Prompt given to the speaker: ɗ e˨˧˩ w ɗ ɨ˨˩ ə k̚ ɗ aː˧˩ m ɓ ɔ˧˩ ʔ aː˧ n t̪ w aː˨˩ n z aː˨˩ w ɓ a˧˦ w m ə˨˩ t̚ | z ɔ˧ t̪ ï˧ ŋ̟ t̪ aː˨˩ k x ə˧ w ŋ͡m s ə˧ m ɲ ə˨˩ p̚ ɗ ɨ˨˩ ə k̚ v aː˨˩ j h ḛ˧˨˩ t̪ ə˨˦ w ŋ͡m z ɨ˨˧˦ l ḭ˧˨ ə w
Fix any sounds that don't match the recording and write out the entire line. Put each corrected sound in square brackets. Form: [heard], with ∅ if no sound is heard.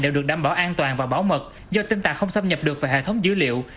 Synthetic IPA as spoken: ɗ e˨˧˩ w ɗ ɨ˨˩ ə k̚ ɗ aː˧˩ m ɓ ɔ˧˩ ʔ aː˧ n t̪ w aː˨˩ n [v] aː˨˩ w ɓ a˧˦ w m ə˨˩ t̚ | z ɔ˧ t̪ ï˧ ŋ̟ t̪ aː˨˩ k x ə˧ w ŋ͡m s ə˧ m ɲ ə˨˩ p̚ ɗ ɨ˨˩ ə k̚ v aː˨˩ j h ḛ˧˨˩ [t̪ʰ] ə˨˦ w ŋ͡m z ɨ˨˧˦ l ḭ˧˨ ə w